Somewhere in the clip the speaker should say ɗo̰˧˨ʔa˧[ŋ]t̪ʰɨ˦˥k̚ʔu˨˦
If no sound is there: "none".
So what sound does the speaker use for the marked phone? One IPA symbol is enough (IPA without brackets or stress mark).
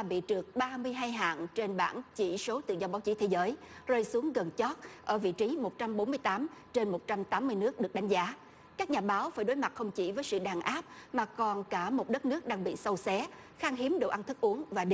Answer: n